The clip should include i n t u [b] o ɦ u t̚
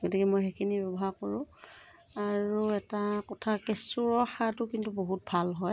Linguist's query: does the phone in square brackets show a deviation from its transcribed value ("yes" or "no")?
no